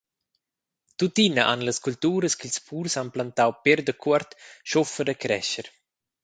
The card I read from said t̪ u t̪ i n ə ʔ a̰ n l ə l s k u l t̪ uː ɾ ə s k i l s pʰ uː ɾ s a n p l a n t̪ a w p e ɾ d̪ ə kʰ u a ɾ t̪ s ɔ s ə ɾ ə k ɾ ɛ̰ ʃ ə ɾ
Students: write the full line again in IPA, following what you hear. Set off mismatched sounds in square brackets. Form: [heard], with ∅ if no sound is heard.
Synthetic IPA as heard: t̪ u t̪ i n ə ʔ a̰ n l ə [∅] s k u l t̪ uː ɾ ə s k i l s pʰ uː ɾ s a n p l a n t̪ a w p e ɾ d̪ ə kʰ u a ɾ t̪ [ʃ] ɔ [f] ə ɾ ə k ɾ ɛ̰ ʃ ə ɾ